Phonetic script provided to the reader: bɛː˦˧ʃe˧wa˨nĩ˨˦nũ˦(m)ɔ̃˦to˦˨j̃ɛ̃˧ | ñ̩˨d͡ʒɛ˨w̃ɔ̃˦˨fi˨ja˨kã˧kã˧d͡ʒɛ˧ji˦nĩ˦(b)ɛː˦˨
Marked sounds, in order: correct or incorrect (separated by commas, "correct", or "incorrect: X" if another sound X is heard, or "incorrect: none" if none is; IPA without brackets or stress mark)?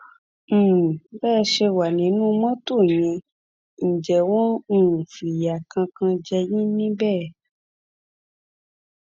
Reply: correct, correct